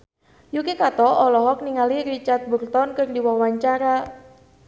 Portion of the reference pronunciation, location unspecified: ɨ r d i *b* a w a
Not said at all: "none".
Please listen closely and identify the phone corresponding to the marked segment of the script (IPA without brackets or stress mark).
w